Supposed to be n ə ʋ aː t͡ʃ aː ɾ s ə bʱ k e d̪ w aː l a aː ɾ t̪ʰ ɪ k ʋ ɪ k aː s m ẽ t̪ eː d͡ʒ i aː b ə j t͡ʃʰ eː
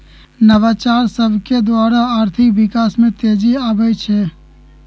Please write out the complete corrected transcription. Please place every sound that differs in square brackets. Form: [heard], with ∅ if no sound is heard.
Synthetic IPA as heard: n ə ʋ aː t͡ʃ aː ɾ s ə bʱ k e d̪ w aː [ɾ] a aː ɾ t̪ʰ ɪ k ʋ ɪ k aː s m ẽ t̪ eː d͡ʒ i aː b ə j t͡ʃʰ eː